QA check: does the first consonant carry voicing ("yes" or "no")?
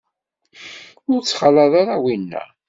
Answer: yes